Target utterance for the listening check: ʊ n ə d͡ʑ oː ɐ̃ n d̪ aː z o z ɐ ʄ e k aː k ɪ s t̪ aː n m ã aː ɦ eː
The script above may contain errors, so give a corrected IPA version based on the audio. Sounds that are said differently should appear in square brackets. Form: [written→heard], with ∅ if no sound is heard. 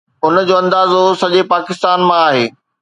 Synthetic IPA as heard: ʊ n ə d͡ʑ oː ɐ̃ n d̪ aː z o [z→s] ɐ ʄ e [k→p] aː k ɪ s t̪ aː n m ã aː ɦ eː